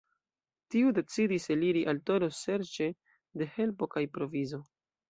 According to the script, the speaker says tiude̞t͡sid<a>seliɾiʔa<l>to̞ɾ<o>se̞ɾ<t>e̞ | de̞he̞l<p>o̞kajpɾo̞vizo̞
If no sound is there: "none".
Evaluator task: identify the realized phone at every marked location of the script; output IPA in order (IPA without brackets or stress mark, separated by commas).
i, l, o, t͡ʃ, p